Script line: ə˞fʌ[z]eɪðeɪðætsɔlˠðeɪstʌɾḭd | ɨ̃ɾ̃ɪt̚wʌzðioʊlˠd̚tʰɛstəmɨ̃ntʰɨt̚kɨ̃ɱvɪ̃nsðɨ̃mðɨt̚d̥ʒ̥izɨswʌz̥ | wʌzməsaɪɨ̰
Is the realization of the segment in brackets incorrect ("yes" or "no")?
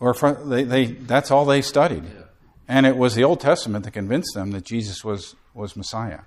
yes